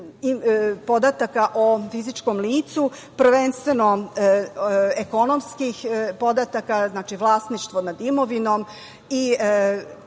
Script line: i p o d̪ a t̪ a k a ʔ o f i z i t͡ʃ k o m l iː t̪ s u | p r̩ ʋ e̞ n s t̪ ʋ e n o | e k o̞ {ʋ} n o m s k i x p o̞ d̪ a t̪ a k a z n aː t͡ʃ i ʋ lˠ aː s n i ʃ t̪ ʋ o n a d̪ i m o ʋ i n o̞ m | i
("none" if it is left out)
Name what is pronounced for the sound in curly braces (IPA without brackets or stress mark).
none